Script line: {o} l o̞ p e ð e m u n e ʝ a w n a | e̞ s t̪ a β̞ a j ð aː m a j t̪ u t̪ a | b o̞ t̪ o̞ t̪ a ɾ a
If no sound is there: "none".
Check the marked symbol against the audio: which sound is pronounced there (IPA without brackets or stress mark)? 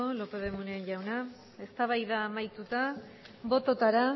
o